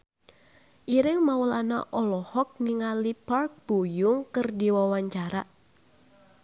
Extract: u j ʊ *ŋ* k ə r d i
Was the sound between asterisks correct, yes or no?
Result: yes